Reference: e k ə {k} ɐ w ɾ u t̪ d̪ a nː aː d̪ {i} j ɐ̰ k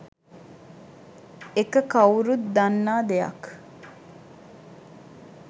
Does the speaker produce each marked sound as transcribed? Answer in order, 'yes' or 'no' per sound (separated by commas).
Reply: yes, no